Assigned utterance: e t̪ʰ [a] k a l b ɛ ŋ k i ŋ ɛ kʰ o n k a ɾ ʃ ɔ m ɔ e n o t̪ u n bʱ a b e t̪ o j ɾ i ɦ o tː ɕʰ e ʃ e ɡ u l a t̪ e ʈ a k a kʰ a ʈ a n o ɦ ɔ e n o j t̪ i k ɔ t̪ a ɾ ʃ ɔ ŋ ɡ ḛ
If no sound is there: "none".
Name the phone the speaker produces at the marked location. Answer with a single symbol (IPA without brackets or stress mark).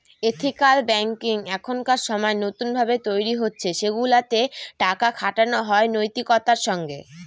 i